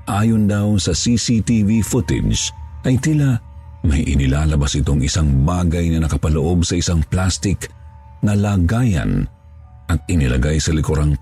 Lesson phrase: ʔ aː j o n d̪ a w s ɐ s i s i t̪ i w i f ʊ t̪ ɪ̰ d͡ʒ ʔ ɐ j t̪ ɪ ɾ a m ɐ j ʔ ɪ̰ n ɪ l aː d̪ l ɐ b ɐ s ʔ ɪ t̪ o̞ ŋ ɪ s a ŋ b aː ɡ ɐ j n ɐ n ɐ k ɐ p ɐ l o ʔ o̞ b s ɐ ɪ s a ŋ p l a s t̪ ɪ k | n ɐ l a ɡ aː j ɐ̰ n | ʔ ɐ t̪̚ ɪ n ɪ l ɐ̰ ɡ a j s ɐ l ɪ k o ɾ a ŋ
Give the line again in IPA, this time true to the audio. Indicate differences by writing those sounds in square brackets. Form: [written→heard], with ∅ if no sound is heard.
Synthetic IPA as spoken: ʔ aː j o n d̪ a w s ɐ s i s i t̪ i [w→v] i f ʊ t̪ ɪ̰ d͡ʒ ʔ ɐ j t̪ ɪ [ɾ→l] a m ɐ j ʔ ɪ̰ n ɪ l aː [d̪→∅] l ɐ b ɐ s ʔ ɪ t̪ o̞ ŋ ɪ s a ŋ b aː ɡ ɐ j n ɐ n ɐ k ɐ p ɐ l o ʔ o̞ b s ɐ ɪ s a ŋ p l a s t̪ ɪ k | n ɐ l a ɡ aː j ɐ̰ n | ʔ ɐ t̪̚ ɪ n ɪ l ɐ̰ ɡ a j s ɐ l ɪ k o ɾ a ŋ